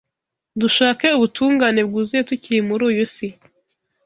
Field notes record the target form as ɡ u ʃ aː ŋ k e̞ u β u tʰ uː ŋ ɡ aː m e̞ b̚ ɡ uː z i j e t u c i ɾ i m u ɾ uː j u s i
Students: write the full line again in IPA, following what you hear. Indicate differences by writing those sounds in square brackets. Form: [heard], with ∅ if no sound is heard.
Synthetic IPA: [d] u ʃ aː [∅] k e̞ u β u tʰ uː ŋ ɡ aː [n] e̞ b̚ ɡ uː z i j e t u c i ɾ i m u ɾ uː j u s i